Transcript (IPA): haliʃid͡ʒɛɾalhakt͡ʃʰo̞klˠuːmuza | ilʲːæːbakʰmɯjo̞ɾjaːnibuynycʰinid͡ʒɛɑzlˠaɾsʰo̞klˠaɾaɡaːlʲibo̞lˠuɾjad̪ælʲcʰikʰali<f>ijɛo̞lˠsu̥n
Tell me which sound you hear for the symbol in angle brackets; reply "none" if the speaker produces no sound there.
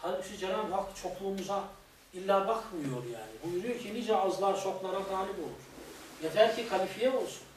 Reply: f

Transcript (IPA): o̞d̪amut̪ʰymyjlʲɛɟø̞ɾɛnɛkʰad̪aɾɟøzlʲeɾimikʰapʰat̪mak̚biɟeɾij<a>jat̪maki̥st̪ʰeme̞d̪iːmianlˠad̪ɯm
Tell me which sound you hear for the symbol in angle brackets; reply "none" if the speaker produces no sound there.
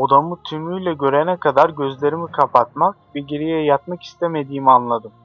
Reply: ɛ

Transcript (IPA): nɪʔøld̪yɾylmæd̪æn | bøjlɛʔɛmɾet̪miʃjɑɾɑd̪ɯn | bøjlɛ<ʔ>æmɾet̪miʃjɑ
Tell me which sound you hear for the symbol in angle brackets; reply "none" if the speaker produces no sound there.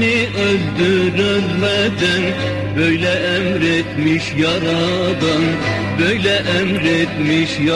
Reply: ʔ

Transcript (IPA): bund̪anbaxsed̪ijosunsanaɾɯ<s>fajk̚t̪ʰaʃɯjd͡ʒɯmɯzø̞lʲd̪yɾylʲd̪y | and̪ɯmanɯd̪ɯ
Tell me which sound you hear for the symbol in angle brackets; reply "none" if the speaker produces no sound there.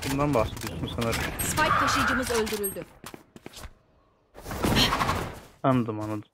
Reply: s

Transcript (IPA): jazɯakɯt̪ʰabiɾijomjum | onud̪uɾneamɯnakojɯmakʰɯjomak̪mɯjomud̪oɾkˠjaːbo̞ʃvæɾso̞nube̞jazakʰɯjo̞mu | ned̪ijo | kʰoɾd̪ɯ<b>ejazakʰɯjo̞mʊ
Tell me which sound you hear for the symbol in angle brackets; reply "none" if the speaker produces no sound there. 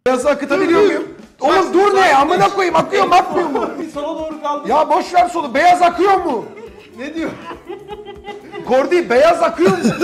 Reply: b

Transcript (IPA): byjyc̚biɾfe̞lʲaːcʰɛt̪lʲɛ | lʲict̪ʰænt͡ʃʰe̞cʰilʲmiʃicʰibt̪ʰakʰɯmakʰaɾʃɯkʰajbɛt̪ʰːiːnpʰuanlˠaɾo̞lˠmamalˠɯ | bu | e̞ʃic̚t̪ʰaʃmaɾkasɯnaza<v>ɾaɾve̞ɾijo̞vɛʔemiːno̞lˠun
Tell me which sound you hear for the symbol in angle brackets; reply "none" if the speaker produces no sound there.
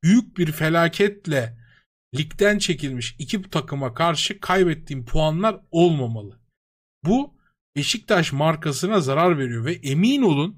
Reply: none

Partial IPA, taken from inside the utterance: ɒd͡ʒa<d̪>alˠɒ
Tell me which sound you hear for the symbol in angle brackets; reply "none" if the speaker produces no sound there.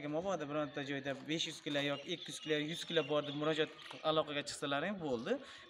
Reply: t̪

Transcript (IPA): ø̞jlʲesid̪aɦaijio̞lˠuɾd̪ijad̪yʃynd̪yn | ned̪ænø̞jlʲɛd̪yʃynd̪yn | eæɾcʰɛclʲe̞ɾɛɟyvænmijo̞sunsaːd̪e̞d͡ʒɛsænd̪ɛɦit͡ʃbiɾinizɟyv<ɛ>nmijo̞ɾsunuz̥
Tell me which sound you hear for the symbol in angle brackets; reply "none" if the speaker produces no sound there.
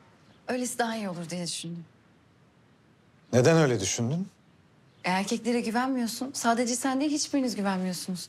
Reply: æ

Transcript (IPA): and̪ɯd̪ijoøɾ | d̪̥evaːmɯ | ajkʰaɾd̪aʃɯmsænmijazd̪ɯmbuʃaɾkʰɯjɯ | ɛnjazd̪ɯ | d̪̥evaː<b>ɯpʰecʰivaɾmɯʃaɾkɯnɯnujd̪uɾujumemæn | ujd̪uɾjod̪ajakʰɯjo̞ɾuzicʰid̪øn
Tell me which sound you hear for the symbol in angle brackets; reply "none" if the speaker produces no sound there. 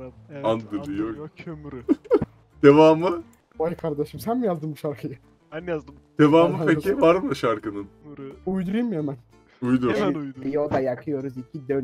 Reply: m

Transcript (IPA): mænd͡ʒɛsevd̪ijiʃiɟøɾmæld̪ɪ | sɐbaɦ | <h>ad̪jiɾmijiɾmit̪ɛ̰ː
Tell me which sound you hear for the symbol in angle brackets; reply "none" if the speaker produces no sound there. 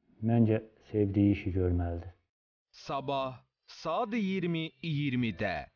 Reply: s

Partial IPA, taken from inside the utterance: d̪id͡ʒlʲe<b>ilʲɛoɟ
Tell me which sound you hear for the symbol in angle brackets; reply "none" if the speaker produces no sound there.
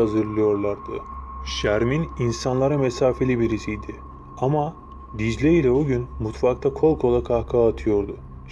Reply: none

